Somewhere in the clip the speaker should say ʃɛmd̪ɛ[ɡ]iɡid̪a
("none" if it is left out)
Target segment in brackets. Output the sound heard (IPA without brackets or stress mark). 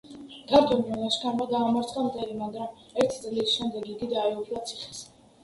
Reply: ɡ